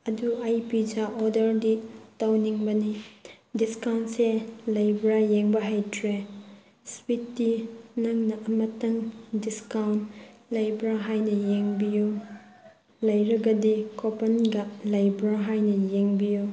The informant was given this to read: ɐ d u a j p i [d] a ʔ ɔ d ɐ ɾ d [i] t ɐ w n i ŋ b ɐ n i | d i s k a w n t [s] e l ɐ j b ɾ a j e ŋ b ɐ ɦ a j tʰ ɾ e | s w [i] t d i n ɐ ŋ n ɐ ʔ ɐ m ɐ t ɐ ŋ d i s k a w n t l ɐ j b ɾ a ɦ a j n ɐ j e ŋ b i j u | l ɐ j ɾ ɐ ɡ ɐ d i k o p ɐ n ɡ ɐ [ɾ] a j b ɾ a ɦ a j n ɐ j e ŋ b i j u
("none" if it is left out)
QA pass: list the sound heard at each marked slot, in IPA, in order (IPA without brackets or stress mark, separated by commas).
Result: d͡ʒ, i, s, i, l